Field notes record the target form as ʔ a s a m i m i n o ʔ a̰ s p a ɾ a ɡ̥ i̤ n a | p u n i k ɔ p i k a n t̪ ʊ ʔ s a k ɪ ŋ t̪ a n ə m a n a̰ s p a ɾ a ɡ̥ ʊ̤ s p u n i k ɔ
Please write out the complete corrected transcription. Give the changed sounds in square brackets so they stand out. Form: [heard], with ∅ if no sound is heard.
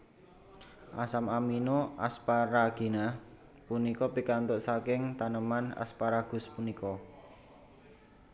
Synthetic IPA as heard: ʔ a s a m [a] m i n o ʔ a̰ s p a ɾ a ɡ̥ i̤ n a | p u n i k ɔ p i k a n t̪ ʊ ʔ s a k ɪ ŋ t̪ a n ə m a n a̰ s p a ɾ a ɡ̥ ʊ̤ s p u n i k ɔ